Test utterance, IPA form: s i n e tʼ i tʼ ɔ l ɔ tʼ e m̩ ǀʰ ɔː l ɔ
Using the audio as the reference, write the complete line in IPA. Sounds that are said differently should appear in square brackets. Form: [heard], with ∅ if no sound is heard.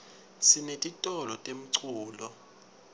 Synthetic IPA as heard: s i n e tʼ i tʼ ɔ l ɔ tʼ e m̩ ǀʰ [uː] l ɔ